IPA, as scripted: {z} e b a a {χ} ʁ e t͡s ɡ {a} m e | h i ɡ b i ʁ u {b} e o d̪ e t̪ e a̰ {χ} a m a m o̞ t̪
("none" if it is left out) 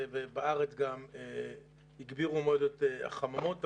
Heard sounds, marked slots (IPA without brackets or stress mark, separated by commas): v, none, a, m, χ